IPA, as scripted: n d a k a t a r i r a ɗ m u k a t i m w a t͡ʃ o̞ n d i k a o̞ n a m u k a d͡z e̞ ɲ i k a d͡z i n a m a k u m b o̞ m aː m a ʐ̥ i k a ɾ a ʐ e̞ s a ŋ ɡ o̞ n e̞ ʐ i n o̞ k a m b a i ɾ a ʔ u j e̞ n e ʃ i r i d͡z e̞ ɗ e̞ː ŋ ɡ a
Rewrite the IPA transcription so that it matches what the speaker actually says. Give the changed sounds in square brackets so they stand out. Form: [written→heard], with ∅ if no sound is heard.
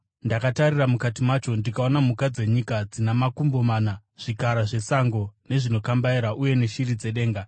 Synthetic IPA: n d a k a t a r i r a [ɗ→∅] m u k a t i m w a t͡ʃ o̞ n d i k a o̞ n a m u k a d͡z e̞ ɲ i k a d͡z i n a m a k u m b o̞ m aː [m→n] a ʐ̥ i k a ɾ a ʐ e̞ s a ŋ ɡ o̞ n e̞ ʐ i n o̞ k a m b a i ɾ a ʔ u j e̞ n e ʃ i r i d͡z e̞ ɗ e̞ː ŋ ɡ a